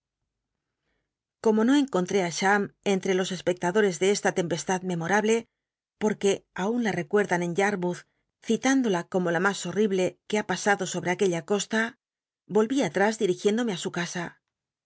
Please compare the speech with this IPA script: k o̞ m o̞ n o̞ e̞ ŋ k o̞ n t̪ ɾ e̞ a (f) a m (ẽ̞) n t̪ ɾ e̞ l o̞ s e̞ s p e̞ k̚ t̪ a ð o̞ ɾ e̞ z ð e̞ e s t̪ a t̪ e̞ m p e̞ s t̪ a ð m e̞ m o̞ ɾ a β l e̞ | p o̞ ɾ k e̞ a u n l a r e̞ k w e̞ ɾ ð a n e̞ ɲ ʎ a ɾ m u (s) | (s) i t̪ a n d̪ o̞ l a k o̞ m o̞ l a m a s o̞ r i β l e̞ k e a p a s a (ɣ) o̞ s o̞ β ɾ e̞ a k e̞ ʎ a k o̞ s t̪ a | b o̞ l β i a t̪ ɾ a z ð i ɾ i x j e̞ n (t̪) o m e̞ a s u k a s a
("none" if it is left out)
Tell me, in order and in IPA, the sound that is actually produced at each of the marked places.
ʃ, e̞, θ, θ, ð, d̪

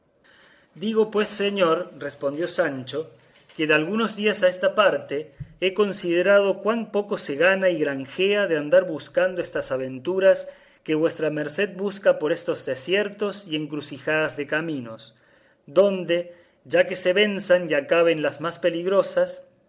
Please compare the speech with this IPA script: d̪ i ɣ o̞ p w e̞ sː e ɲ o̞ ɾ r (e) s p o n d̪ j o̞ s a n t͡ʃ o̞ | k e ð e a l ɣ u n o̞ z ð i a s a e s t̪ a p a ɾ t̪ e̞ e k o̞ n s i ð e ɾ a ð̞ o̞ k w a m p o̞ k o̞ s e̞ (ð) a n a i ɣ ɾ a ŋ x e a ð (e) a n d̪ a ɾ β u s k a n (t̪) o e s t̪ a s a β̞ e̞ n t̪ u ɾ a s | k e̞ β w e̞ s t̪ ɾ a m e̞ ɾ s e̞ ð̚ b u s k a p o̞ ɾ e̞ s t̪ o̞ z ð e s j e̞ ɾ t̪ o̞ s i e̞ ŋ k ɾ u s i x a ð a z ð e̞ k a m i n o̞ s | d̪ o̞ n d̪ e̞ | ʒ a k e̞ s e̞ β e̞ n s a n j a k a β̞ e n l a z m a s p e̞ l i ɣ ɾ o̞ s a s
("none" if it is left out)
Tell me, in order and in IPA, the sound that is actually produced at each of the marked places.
e, ɣ, e, d̪

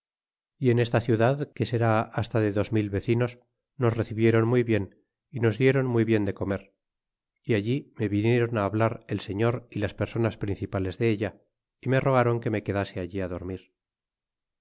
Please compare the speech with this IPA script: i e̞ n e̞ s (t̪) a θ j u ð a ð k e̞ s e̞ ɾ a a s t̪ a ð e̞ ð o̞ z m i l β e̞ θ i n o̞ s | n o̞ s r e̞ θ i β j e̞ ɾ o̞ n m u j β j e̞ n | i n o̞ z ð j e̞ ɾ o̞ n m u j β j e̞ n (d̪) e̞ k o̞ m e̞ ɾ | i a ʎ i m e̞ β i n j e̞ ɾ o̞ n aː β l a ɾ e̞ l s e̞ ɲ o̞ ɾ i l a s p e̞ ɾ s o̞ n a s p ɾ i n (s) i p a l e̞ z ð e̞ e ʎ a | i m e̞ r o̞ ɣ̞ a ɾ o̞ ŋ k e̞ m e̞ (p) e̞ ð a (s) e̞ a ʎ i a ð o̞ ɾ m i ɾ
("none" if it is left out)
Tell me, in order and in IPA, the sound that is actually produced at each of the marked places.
t̪, d̪, θ, k, s

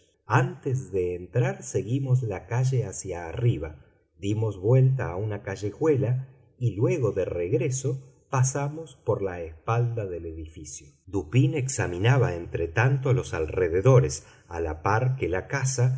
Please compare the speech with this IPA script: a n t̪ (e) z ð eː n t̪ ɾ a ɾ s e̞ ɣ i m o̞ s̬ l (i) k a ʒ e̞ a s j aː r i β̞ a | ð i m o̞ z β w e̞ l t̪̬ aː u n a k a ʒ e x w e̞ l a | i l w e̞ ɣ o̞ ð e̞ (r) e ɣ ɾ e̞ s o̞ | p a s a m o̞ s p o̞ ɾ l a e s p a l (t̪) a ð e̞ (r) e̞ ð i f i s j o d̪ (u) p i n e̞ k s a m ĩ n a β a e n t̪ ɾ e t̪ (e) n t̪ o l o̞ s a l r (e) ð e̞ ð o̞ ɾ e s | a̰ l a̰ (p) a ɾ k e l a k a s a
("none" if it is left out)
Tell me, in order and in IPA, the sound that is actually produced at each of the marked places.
e, a, r, d̪, l, u, a, e, p

